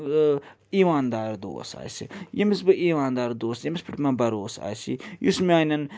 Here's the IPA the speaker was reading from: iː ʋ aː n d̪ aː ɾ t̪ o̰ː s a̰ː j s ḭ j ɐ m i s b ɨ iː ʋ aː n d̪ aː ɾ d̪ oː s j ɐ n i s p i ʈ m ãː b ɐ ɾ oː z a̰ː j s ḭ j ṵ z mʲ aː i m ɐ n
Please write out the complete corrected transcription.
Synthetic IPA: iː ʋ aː n d̪ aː ɾ d̪ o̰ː s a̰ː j s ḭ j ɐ m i s b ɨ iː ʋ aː n d̪ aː ɾ d̪ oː s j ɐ m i s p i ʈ m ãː b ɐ ɾ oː s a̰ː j s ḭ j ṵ s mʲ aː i n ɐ n

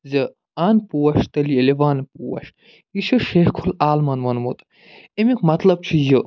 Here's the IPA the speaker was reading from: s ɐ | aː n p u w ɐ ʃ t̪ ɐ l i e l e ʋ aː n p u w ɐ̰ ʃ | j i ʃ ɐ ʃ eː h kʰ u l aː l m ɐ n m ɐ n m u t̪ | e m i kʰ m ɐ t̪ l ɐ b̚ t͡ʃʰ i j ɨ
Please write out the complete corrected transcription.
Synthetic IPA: z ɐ | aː n p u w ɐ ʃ t̪ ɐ l i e l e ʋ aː n p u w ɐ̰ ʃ | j i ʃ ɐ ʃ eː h kʰ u l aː l m ɐ n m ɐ n m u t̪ | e m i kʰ m ɐ t̪ l ɐ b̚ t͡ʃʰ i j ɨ

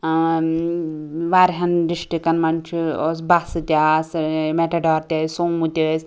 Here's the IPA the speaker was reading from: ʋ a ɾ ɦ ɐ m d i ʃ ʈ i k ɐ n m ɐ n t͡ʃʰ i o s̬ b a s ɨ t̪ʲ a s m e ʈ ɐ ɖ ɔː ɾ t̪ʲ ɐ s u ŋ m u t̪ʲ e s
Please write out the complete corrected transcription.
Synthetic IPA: ʋ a ɾ ɦ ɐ n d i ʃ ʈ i k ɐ n m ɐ n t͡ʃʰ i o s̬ b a s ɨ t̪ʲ a s m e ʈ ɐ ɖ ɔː ɾ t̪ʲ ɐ s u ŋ m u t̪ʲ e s

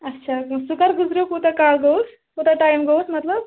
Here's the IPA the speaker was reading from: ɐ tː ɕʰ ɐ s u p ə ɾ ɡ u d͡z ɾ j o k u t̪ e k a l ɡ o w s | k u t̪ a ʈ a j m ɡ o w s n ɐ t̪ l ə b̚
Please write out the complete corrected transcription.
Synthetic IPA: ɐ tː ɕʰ a s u k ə ɾ ɡ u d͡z ɾ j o k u t̪ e k a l ɡ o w s | k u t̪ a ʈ a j m ɡ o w s m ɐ t̪ l ə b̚

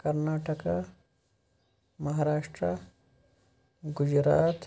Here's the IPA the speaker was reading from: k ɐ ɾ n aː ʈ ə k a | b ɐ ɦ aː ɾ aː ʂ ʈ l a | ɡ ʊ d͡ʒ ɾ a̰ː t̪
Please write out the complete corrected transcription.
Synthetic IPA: k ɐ ɾ n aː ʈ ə k a | m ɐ ɦ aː ɾ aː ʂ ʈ ɾ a | ɡ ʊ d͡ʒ ɾ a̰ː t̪

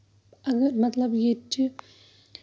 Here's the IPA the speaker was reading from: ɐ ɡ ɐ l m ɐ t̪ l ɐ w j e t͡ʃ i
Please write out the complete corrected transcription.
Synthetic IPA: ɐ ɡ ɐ ɾ m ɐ t̪ l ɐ b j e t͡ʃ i

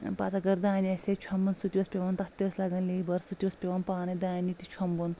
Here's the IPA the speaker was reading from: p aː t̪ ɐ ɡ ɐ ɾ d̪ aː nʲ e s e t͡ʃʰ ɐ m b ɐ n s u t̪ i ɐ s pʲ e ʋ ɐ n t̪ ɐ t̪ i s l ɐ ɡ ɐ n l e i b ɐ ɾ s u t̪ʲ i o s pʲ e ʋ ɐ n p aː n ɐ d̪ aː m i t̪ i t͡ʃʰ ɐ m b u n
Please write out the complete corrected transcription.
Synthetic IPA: p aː t̪ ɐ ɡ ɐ ɾ d̪ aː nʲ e s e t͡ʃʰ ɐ m b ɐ n s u t̪ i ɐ s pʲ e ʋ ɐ n t̪ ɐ t̪ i s l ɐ ɡ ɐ n l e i b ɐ ɾ s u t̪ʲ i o s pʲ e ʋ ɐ n p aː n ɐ d̪ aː n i t̪ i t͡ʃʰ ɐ m b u n

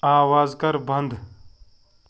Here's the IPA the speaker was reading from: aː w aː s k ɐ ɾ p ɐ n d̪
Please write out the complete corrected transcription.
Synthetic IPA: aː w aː z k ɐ ɾ b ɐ n d̪

